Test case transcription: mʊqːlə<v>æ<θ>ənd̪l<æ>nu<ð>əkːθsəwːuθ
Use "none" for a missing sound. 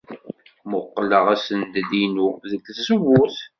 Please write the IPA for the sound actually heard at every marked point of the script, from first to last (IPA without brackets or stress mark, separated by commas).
ʁ, s, i, ð